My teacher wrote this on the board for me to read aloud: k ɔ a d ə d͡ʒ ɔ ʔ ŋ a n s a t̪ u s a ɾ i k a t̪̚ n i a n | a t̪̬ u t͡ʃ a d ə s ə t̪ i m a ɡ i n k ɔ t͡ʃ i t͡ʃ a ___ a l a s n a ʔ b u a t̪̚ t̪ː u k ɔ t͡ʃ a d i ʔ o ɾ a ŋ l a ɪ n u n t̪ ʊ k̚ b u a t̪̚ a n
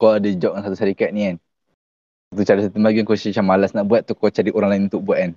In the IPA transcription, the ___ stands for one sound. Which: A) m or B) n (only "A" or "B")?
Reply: A